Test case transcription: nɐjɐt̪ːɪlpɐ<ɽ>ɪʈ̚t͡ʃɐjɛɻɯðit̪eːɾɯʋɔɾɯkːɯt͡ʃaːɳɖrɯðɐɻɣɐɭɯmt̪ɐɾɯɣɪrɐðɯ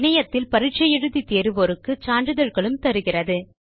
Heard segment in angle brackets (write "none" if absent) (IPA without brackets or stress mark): ɾ